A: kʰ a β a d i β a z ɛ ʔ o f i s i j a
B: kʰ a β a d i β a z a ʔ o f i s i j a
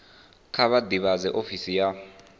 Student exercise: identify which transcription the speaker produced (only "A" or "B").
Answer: A